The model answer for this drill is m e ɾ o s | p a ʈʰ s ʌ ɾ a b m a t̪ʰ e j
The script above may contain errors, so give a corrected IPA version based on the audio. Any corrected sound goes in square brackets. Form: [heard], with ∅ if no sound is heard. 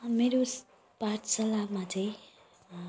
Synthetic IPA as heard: m e ɾ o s | p a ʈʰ s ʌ [l] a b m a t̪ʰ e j